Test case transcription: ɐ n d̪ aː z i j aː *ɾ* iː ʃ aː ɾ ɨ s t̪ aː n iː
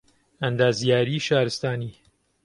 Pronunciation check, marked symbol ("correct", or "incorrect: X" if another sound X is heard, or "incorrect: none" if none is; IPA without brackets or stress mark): correct